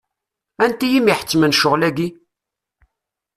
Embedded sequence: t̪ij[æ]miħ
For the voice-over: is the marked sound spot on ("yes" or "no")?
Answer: no